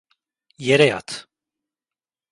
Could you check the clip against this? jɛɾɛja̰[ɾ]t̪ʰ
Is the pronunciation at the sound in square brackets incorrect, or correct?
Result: incorrect